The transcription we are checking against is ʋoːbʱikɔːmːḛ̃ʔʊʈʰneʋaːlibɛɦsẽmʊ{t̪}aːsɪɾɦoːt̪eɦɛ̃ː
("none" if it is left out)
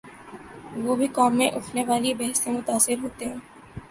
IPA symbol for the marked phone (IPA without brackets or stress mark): t̪